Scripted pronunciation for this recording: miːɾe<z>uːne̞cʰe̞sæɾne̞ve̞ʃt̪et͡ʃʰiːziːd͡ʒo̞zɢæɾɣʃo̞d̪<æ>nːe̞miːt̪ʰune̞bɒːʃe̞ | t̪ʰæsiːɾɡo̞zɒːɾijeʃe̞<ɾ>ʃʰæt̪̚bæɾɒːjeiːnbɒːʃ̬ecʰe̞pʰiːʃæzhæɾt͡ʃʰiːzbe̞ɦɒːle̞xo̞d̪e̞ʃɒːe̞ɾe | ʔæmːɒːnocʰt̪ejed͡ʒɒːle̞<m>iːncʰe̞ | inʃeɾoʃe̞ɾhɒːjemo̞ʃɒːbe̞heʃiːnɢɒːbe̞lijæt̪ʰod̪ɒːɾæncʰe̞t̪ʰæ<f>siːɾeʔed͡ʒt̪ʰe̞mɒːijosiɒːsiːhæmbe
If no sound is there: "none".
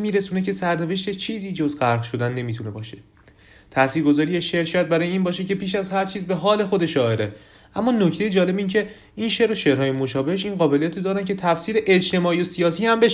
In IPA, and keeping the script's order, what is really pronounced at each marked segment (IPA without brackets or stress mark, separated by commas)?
s, æ, ɾ, b, f